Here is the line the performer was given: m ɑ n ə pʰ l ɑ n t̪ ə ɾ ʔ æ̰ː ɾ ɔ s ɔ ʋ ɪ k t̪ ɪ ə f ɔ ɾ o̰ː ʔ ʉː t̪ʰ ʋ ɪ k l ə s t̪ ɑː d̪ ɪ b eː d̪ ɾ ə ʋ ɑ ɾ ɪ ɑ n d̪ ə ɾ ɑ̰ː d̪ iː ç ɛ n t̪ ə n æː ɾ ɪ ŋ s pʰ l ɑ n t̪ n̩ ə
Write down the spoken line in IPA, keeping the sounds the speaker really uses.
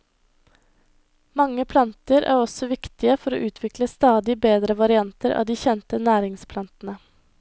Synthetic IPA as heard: m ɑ ŋ ə pʰ l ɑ n t̪ ə ɾ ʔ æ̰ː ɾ ɔ s ɔ ʋ ɪ k t̪ ɪ ə f ɔ ɾ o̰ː ʔ ʉː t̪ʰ ʋ ɪ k l ə s t̪ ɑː d̪ ɪ b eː d̪ ɾ ə ʋ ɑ ɾ ɪ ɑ n t̪ ə ɾ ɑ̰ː d̪ iː ç ɛ n t̪ ə n æː ɾ ɪ ŋ s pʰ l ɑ n t̪ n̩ ə